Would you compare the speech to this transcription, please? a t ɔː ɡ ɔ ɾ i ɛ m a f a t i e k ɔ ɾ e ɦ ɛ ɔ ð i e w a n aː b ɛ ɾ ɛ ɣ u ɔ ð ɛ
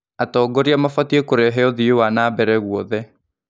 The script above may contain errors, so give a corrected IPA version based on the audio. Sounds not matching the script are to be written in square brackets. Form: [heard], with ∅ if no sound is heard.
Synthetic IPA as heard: a t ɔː ɡ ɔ ɾ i [a] m a f a t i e k [o] ɾ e ɦ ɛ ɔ ð i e w a n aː b ɛ ɾ ɛ ɣ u ɔ ð ɛ

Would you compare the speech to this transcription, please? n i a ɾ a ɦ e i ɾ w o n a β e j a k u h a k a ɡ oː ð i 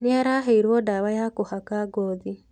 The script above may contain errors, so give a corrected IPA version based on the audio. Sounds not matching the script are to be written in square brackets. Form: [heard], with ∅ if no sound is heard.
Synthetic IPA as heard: n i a ɾ a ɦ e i ɾ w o [d] a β [a] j a k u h a k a ɡ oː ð i

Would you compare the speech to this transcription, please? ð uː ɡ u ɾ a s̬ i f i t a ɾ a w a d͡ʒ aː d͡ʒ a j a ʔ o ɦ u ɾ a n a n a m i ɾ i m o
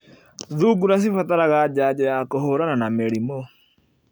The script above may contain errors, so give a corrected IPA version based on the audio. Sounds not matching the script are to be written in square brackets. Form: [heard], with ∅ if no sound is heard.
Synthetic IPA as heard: ð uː ɡ u ɾ a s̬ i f [a] t a ɾ a [ɣ] a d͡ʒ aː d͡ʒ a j a [k] o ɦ [o] ɾ a n a n a m [e] ɾ i m o

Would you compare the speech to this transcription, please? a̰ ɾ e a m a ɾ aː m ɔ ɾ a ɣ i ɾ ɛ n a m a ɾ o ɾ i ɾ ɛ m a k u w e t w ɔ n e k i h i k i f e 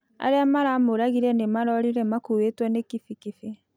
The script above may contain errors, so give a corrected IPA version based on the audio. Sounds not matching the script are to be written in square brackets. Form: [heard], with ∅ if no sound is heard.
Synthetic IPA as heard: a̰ ɾ e a m a ɾ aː m [o] ɾ a ɣ i ɾ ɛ n [e] m a ɾ [ɔ] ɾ i ɾ ɛ m a k u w e t w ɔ n e k i [f] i k i f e

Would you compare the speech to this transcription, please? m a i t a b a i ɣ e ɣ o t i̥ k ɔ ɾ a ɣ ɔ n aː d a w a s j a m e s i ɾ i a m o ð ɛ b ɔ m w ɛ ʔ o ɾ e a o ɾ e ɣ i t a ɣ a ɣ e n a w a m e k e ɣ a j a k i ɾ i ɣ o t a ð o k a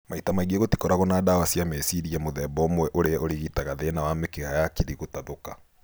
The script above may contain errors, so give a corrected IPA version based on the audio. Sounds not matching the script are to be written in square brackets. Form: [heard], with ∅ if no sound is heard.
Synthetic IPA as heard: m a i t a [m] a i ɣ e ɣ o t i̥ k ɔ ɾ a ɣ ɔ n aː d a w a s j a m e s i ɾ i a m o ð ɛ b ɔ m w ɛ ʔ o ɾ e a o ɾ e ɣ i t a ɣ a [ð] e n a w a m e k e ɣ a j a k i ɾ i ɣ o t a ð o k a

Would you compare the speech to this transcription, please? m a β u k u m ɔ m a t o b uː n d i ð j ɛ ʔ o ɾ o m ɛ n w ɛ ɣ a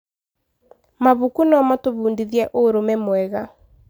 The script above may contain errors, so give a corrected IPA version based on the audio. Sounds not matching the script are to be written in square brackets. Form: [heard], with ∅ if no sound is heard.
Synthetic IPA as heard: m a β u k u [n] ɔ m a t o [β] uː n d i ð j ɛ ʔ o ɾ o m ɛ [m] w ɛ ɣ a

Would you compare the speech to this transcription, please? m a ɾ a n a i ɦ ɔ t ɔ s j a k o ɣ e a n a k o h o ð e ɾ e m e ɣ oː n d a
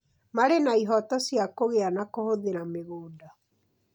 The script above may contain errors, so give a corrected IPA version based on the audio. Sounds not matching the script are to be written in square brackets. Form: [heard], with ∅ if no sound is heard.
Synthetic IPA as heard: m a ɾ [e] n a i ɦ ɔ t ɔ s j a k o ɣ e a n a k o h o ð e ɾ [a] m e ɣ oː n d a

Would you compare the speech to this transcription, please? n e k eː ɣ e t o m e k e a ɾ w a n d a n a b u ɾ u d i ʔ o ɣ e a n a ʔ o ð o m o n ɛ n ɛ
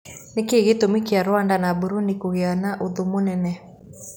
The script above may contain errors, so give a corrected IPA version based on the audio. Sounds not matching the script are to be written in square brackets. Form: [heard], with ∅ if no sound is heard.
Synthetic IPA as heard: n e k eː ɣ e t o m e k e a ɾ w a n d a n a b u ɾ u [n] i [k] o ɣ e a n a ʔ o ð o m o n ɛ n ɛ

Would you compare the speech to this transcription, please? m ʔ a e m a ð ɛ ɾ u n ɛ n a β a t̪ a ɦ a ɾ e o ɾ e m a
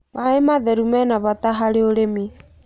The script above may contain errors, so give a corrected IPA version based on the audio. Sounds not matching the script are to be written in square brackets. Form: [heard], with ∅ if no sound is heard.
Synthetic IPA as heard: m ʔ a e m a ð ɛ ɾ u [m] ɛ n a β a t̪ a ɦ a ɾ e o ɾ e m [i]

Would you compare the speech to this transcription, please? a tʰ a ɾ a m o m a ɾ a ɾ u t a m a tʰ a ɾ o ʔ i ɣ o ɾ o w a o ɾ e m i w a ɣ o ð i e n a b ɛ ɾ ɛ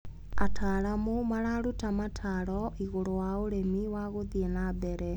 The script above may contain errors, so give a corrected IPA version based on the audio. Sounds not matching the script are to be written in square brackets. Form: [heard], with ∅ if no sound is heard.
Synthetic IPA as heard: a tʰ a ɾ a m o m a ɾ a ɾ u t a m a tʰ a ɾ [ɔ] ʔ i ɣ o ɾ o w a o ɾ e m i w a ɣ o ð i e n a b ɛ ɾ ɛ

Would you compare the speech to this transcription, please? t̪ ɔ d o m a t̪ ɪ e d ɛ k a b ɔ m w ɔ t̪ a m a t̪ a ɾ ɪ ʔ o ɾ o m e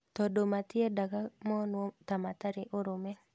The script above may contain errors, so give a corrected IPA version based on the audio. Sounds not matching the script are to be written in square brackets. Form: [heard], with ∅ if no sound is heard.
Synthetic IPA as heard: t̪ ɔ d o m a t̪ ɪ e d [a] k a [m] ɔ [n] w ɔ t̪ a m a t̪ a ɾ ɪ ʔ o ɾ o m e

